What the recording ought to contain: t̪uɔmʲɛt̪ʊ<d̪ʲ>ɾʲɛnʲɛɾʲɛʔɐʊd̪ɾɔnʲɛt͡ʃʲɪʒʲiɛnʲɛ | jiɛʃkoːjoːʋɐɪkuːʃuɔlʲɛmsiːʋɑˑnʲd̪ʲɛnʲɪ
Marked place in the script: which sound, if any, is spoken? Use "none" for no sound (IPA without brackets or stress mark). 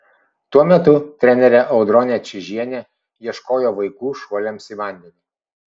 t̪ʲ